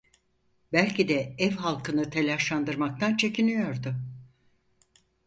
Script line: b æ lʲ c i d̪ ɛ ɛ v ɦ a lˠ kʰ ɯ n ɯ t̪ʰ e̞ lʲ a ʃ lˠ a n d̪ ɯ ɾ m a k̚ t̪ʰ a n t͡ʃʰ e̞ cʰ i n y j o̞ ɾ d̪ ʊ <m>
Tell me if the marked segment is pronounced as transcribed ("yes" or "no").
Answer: no